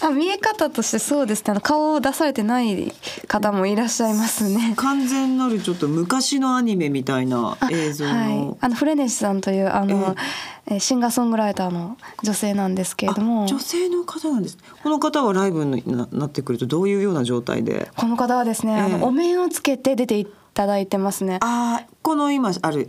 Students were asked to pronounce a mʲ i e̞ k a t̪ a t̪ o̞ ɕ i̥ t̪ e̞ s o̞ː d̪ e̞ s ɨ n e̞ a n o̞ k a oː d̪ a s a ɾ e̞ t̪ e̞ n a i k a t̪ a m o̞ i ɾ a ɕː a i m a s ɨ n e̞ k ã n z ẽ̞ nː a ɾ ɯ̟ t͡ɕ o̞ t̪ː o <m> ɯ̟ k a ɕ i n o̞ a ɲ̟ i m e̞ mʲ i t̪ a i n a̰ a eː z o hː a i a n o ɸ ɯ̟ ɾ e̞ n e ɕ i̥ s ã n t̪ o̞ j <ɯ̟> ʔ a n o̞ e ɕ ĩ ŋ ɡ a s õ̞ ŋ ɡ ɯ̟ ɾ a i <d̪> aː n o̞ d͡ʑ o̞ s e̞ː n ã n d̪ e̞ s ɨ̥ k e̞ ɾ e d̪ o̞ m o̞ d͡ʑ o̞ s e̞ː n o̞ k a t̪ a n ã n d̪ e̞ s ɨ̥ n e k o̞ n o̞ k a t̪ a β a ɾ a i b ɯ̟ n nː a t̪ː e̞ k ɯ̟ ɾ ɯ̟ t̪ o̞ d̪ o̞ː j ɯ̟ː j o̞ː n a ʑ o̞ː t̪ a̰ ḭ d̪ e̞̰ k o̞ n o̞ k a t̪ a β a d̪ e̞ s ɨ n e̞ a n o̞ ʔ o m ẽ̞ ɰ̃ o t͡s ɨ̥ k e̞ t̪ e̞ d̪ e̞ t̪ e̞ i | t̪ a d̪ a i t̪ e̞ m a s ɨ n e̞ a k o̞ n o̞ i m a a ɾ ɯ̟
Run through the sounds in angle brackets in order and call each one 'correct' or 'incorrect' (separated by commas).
correct, incorrect, incorrect